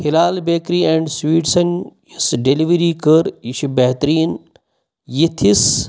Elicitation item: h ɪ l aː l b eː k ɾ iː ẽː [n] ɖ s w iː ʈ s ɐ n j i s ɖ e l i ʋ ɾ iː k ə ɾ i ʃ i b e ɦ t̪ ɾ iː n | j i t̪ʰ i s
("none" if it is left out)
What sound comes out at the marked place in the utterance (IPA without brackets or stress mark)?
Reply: ɳ